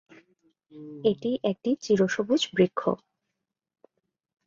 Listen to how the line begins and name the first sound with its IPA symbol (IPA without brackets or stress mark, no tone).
e